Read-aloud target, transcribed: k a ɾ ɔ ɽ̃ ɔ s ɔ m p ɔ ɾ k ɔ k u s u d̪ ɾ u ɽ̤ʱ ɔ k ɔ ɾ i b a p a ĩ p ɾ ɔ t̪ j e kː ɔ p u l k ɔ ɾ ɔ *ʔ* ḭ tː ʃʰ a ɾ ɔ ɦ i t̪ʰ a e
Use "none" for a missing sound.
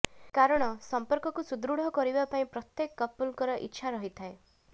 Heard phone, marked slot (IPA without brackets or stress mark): ʔ